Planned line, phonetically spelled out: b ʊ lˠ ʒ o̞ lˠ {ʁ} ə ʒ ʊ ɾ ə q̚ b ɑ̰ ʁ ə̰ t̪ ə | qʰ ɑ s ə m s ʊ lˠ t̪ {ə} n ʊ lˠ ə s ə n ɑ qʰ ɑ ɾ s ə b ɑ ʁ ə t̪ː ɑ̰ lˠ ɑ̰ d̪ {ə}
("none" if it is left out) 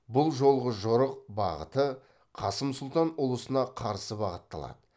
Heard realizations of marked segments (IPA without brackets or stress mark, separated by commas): ʁ, ɑ, ə